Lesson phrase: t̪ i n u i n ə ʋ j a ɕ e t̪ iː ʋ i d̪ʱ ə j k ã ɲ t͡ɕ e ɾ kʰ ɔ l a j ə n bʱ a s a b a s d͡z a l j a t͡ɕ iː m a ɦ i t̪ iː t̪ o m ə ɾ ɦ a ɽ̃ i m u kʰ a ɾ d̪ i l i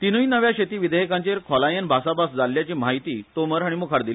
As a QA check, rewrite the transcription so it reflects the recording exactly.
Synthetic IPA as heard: t̪ i n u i n ə ʋ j a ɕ e t̪ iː ʋ i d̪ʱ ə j k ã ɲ t͡ɕ e ɾ kʰ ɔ l a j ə n bʱ a s a b a s d͡z a l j a t͡ɕ iː m a ɦ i t̪ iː t̪ o m ə ɾ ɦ a ɽ̃ i m u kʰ a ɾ d̪ i l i